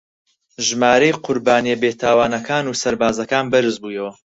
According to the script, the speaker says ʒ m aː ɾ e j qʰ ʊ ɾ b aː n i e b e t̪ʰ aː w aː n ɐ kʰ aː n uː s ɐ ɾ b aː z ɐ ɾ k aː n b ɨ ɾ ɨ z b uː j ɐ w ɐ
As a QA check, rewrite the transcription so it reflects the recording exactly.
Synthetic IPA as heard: ʒ m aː ɾ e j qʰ ʊ ɾ b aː n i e b e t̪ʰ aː w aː n ɐ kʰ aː n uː s ɐ ɾ b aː z ɐ k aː n b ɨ ɾ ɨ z b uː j ɐ w ɐ